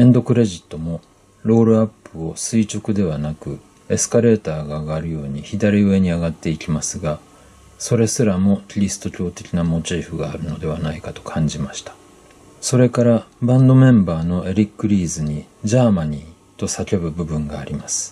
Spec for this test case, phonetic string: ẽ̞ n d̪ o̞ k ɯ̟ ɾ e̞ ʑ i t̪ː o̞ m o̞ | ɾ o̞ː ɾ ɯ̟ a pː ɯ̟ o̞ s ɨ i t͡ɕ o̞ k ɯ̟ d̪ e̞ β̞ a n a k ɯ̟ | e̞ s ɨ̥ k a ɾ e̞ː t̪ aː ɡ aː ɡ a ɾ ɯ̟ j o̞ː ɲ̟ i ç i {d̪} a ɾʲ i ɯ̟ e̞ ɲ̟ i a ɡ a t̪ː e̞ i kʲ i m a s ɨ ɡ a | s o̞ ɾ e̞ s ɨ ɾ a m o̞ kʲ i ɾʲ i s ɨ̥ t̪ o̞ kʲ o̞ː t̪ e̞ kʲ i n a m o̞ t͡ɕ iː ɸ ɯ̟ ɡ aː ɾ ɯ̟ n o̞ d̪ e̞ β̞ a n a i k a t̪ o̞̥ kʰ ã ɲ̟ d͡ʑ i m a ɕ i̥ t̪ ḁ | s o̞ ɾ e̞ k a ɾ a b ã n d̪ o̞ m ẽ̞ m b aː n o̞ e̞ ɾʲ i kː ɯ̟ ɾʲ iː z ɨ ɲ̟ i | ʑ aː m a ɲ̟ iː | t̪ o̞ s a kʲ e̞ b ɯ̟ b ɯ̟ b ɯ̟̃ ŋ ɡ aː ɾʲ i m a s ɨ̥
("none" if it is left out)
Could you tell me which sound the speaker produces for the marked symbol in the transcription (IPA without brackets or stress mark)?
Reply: d̪